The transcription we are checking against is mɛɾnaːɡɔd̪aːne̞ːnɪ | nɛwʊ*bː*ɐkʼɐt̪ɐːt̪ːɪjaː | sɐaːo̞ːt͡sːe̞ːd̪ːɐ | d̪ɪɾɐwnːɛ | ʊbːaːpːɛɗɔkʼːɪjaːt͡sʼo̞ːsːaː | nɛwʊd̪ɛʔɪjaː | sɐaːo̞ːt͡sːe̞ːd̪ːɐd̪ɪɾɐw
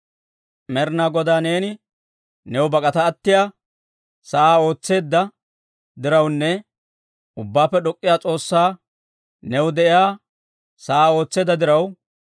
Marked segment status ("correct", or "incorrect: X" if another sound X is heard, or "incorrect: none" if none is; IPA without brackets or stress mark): incorrect: b